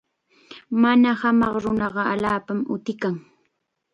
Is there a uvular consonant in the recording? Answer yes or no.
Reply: yes